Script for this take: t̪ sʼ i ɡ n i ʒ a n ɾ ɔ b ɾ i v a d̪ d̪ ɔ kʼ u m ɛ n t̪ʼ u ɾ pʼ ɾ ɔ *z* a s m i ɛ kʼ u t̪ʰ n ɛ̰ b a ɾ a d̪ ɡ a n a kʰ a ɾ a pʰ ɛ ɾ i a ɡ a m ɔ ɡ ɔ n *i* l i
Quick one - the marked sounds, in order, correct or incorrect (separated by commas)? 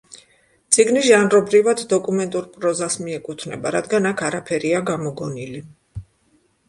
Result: correct, correct